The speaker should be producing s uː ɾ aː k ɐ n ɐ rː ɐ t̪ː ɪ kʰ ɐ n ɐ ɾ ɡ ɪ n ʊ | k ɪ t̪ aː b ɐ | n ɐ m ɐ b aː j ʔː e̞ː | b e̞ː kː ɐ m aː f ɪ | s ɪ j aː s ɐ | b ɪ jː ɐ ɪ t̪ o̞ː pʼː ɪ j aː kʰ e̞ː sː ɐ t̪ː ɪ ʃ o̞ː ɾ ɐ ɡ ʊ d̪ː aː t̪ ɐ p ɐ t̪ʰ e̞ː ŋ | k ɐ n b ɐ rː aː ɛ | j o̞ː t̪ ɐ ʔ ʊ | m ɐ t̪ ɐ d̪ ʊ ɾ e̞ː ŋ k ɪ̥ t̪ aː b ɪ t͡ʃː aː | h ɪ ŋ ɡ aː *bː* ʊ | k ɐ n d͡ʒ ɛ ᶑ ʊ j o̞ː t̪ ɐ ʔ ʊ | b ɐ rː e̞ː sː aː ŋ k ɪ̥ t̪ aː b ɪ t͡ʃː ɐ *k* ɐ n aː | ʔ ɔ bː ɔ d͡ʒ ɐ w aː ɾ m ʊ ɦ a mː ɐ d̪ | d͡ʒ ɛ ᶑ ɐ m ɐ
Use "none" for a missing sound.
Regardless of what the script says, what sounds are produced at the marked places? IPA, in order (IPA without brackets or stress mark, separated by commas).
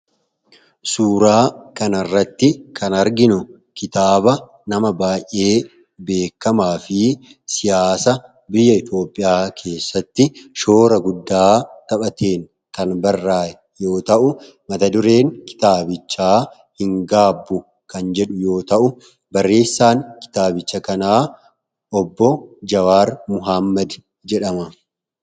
bː, k